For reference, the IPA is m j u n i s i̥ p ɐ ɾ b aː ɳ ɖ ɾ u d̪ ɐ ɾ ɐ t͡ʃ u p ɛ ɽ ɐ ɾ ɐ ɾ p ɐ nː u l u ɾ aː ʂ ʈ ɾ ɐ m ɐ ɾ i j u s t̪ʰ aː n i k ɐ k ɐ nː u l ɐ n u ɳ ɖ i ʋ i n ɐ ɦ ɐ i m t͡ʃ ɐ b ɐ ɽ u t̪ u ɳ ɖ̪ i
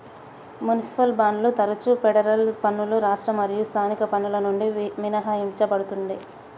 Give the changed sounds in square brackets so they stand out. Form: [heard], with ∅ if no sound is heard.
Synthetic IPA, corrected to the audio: m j u n i s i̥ p ɐ [l] b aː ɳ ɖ [l] u [t̪] ɐ ɾ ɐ t͡ʃ u p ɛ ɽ ɐ ɾ ɐ [l] p ɐ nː u l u ɾ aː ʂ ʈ ɾ ɐ m ɐ ɾ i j u s t̪ʰ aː n i k ɐ [p] ɐ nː u l ɐ n u ɳ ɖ i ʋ i n ɐ ɦ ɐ i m t͡ʃ ɐ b ɐ ɽ u t̪ u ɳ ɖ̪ i